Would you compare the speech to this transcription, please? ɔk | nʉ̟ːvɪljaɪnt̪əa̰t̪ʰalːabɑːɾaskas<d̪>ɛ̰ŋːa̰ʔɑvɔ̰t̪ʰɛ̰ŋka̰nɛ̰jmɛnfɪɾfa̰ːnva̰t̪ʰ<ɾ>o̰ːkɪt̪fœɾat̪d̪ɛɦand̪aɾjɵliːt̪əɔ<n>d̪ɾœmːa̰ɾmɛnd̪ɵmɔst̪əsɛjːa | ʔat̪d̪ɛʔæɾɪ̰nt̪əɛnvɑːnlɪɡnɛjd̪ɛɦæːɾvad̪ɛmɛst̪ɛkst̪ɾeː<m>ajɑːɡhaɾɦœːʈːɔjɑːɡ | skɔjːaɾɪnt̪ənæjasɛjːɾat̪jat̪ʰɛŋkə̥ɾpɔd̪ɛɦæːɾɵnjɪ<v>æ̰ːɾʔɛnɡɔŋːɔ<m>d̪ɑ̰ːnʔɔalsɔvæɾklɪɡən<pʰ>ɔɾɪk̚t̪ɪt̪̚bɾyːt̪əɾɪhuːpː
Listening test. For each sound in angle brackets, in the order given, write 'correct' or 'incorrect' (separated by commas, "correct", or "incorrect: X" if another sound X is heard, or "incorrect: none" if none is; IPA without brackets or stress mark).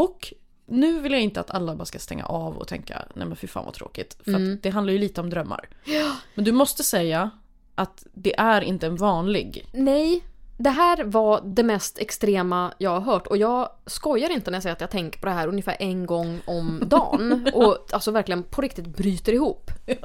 incorrect: t̪, correct, incorrect: m, correct, incorrect: f, correct, correct